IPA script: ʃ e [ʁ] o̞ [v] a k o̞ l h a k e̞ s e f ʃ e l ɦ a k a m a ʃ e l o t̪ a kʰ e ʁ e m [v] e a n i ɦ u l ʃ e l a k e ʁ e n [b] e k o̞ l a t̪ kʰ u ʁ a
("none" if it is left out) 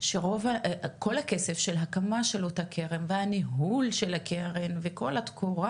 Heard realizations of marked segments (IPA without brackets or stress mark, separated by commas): ʁ, v, v, v